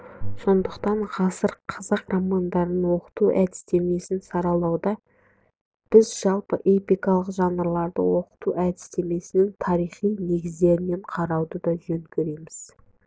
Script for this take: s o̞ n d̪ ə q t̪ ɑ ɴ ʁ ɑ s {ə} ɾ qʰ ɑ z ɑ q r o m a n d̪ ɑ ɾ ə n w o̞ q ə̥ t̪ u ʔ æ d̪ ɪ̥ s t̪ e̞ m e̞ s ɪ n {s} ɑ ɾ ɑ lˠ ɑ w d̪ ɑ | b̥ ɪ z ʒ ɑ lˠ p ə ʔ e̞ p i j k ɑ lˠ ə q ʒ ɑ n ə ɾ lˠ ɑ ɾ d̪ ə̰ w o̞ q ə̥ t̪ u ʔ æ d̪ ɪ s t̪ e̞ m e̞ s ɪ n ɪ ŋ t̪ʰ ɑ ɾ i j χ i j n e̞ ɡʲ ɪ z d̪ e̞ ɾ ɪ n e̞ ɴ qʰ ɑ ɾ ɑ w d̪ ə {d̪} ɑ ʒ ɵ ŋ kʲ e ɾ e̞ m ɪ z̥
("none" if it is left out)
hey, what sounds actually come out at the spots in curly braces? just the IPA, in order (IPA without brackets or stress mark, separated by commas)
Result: ə, s, d̪